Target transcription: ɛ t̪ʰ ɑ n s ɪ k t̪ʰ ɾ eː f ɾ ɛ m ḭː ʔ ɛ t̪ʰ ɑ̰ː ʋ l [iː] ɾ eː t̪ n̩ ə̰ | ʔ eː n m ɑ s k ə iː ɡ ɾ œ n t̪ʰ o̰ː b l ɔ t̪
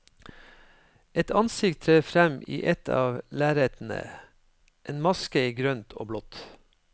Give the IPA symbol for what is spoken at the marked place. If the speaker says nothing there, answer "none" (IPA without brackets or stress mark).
æː